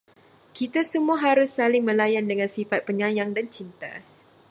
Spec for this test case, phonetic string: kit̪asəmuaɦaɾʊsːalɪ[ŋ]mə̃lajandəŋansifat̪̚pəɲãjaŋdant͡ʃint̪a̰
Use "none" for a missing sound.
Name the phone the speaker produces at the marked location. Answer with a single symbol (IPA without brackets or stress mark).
ŋ